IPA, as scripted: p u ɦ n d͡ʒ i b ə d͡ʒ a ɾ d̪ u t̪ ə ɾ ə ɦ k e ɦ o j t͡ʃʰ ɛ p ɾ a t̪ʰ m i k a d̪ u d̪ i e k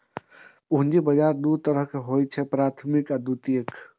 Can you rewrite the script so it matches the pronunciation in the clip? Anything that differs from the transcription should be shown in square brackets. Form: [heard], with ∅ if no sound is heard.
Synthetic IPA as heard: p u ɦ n d͡ʒ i b ə d͡ʒ a ɾ d̪ u t̪ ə ɾ ə ɦ k e ɦ o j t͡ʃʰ ɛ p ɾ a t̪ʰ m i k a d̪ u [t̪] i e k